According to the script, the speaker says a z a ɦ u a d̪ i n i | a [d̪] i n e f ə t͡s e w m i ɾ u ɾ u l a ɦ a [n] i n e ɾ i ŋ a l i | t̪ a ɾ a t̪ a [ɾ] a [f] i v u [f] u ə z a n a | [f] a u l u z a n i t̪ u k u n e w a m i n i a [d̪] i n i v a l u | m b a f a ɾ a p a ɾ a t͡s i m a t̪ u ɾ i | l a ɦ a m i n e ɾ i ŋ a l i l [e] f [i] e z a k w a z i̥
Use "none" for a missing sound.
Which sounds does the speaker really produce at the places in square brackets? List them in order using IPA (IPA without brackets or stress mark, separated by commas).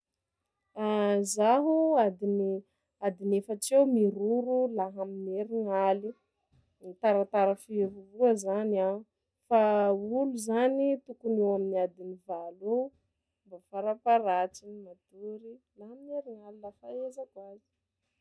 d̪, m, ɾ, f, v, f, d̪, a, a